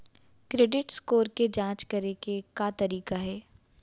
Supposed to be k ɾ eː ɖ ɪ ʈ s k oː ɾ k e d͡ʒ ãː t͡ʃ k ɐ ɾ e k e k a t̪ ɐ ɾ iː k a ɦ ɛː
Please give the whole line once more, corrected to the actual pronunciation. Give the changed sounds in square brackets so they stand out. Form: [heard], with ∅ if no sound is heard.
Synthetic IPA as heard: k ɾ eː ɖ ɪ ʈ s k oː ɾ k e d͡ʒ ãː t͡ʃ k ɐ ɾ e k e k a t̪ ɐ ɾ iː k a ɦ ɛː